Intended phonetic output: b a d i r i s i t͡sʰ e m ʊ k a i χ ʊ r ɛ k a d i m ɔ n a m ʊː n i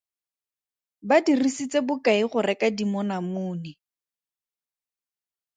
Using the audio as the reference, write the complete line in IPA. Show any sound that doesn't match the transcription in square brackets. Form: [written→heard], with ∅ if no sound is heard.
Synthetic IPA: b a d i r i s i [t͡sʰ→t͡s] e [m→b] ʊ k a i χ ʊ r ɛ k a d i m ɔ n a m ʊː n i